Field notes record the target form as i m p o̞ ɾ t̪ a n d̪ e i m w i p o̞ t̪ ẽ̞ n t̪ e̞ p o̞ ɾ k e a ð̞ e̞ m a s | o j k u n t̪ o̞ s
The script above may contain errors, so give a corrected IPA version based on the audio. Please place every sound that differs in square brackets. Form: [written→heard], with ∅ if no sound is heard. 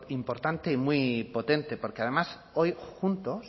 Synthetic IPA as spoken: i m p o̞ ɾ t̪ a n [d̪→t̪] e i m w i p o̞ t̪ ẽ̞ n t̪ e̞ p o̞ ɾ k e a ð̞ e̞ m a s | o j [k→x] u n t̪ o̞ s